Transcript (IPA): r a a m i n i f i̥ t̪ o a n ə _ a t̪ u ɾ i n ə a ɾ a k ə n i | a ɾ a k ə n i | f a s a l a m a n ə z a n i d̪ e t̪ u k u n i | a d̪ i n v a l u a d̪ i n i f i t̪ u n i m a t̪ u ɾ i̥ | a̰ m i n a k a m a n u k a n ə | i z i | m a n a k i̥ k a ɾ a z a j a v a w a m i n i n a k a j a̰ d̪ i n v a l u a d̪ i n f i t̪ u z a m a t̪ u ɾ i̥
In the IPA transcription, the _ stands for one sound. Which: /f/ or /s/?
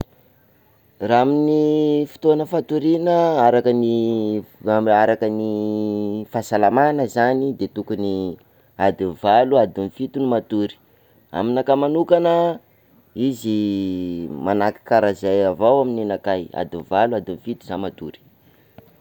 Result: f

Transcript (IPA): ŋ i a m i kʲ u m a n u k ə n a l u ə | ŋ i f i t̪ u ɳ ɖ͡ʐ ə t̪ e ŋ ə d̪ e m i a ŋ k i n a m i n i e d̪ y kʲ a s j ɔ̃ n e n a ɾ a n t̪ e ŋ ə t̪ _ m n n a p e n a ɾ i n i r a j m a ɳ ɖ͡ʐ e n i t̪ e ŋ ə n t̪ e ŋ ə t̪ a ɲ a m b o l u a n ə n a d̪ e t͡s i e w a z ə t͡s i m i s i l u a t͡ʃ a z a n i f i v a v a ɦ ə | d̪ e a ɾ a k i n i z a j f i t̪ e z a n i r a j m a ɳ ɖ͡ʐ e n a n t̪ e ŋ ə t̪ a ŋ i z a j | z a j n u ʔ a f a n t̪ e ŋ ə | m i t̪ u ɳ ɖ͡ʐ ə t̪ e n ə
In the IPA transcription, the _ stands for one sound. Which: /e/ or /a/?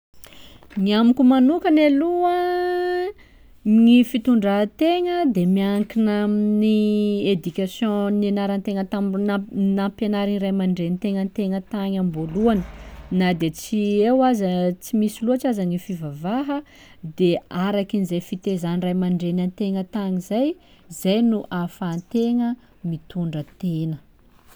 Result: a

